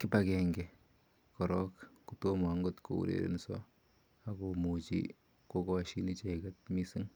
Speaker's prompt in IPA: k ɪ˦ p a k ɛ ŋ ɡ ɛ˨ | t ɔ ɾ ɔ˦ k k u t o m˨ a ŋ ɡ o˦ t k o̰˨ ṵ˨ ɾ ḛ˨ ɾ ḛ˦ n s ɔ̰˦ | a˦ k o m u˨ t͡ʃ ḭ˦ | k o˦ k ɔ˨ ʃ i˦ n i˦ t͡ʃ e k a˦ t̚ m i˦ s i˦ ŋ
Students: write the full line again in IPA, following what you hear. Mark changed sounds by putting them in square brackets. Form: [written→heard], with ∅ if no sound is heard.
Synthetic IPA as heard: k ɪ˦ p a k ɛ ŋ ɡ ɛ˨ | [t→k] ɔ ɾ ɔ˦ k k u t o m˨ a ŋ ɡ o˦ t k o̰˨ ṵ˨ ɾ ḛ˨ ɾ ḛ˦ n s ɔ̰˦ | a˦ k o m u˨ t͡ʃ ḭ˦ | k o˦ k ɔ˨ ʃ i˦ n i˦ t͡ʃ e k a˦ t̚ m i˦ s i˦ ŋ

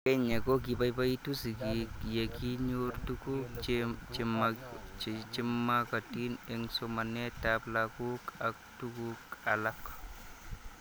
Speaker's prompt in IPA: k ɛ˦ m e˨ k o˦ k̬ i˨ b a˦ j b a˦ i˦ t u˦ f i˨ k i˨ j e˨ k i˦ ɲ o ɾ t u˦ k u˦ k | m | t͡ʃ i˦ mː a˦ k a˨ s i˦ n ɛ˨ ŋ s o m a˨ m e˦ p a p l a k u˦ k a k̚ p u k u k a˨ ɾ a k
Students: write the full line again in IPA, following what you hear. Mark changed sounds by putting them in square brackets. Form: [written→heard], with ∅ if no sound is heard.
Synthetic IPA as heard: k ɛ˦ [m→ɲ] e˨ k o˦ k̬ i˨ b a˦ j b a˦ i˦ t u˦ [f→s] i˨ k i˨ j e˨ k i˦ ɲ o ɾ t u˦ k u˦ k | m | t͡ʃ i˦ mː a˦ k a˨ [s→t] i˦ n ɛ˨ ŋ s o m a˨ [m→n] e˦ [p→t] a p l a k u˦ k a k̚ [p→t] u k u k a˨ [ɾ→l] a k

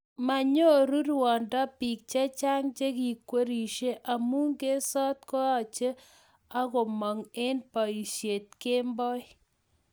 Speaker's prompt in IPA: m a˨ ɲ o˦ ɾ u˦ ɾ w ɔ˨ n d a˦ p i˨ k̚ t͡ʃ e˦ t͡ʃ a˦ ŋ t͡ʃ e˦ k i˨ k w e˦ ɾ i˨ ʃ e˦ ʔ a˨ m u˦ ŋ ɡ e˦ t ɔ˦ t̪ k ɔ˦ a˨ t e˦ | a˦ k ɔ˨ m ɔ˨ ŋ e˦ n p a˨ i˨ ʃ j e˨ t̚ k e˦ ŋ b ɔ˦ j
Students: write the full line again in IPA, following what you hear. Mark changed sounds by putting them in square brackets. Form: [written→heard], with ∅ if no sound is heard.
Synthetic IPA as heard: m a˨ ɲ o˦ ɾ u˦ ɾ w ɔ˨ n d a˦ p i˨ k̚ t͡ʃ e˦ t͡ʃ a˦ ŋ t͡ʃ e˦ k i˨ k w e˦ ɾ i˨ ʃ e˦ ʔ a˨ m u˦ ŋ ɡ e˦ [t→s] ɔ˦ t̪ k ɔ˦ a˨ [t→t͡ʃ] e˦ | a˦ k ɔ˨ m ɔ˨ ŋ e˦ n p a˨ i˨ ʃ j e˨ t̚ k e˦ [ŋ→m] b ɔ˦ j

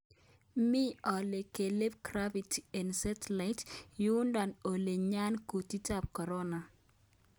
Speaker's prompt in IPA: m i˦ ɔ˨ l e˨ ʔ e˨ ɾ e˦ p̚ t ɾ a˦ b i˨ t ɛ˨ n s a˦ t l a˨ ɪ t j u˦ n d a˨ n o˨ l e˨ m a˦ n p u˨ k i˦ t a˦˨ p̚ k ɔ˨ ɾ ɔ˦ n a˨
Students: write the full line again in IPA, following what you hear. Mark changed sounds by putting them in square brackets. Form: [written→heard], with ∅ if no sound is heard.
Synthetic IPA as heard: m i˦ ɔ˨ l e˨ [ʔ→k] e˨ [ɾ→l] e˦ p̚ [t→k] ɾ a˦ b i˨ t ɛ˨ n s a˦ t l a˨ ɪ t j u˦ n d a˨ n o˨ l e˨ [m→ɲ] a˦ n [p→k] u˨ [k→t] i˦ t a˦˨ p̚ k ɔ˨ ɾ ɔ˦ n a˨

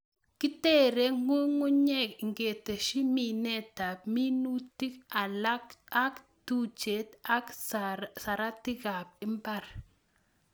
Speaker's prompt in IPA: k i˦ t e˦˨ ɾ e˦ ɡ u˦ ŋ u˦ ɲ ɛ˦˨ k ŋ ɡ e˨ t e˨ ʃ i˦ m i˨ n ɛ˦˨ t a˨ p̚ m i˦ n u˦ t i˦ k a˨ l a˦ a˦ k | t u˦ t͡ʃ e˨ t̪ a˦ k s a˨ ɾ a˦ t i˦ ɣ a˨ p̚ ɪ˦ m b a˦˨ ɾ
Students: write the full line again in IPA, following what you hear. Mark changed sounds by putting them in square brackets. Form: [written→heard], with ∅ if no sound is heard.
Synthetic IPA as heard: k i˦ t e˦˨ ɾ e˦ [ɡ→ŋ] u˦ ŋ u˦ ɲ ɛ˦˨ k ŋ ɡ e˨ t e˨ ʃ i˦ m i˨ n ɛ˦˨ t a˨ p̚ m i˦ n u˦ t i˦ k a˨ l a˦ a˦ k | t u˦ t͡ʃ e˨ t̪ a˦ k s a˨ ɾ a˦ t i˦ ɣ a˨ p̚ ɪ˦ m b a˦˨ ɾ

